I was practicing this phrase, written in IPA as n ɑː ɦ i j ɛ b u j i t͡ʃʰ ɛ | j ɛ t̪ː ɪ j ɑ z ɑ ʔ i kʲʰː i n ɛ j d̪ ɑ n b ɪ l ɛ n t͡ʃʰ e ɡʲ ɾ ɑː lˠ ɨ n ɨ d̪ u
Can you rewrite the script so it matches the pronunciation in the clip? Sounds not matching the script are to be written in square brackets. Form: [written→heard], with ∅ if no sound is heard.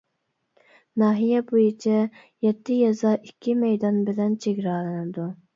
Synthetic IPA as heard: n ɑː ɦ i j ɛ b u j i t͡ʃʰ ɛ | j ɛ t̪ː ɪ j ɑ z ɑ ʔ i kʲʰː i [n→m] ɛ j d̪ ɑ n b ɪ l ɛ n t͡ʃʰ e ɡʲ ɾ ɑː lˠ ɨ n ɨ d̪ u

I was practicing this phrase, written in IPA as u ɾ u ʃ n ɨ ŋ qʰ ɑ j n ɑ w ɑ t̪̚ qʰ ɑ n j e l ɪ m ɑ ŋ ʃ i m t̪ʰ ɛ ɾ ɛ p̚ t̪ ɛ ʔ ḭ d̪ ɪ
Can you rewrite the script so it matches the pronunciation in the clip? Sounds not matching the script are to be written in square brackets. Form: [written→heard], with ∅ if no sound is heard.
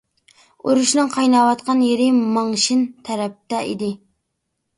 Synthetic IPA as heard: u ɾ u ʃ n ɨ ŋ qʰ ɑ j n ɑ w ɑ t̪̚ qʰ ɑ n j e [l→ɾ] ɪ m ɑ ŋ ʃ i [m→n] t̪ʰ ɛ ɾ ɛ p̚ t̪ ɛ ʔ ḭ d̪ ɪ

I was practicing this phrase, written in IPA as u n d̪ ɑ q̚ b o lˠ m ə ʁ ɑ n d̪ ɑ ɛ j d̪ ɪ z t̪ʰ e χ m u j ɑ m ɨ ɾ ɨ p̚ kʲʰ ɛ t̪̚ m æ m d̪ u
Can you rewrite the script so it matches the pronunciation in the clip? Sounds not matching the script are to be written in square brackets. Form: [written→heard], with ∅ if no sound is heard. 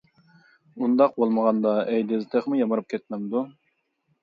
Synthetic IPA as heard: u n d̪ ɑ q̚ b o lˠ m ə ʁ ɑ n d̪ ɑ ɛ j d̪ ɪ z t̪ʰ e χ m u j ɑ m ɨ ɾ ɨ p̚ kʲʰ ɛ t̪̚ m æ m d̪ u

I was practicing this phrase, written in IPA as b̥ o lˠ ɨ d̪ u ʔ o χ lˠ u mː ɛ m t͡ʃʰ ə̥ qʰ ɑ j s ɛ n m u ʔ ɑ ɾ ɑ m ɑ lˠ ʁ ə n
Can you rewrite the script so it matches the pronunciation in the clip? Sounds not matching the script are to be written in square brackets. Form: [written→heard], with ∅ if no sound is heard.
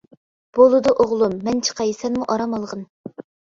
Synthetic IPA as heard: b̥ o lˠ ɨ d̪ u ʔ o [χ→ʁ] lˠ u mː ɛ [m→n] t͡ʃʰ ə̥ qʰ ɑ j s ɛ n m u ʔ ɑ ɾ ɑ m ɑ lˠ ʁ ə n

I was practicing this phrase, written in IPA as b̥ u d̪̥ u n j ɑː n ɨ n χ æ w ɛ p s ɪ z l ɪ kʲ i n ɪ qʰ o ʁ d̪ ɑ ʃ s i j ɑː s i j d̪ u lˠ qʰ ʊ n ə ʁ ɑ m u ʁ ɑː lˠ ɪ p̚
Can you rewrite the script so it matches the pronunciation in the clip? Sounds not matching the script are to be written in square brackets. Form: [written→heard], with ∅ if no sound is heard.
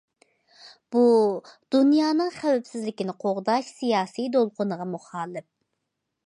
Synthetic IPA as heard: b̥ u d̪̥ u n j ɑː n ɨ [n→ŋ] χ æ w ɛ p s ɪ z l ɪ kʲ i n ɪ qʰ o ʁ d̪ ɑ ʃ s i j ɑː s i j d̪ [u→o] lˠ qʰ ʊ n ə ʁ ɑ m u [ʁ→χ] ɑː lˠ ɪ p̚

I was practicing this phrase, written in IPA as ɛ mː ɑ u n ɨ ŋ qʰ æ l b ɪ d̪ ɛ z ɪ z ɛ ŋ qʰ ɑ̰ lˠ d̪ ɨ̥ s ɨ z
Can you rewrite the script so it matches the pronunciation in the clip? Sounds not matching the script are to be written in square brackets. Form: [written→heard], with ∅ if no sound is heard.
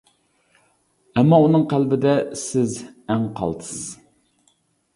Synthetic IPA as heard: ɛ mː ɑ u n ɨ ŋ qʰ æ l b ɪ d̪ ɛ [z→s] ɪ z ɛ ŋ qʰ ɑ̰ lˠ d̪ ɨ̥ s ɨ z

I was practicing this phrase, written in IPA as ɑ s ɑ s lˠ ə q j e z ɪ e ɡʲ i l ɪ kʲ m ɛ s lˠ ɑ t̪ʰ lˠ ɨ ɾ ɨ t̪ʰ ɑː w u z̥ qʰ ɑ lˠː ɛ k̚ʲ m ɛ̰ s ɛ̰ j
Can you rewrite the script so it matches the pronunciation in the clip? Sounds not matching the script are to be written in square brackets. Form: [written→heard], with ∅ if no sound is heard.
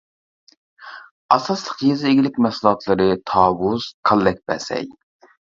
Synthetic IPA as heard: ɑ s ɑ s lˠ ə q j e z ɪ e ɡʲ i l ɪ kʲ m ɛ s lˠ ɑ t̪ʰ lˠ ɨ ɾ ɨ t̪ʰ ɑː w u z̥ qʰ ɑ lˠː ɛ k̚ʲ [m→b] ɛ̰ s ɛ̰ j

